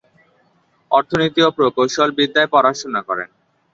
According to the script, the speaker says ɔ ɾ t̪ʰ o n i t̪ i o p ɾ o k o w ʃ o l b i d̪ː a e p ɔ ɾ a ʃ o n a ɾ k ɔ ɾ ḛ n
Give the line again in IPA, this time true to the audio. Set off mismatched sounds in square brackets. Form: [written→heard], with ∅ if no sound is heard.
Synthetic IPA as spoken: ɔ ɾ t̪ʰ o n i t̪ i o p ɾ o k o w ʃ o l b i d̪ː a e p ɔ ɾ a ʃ o n a [ɾ→∅] k ɔ ɾ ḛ n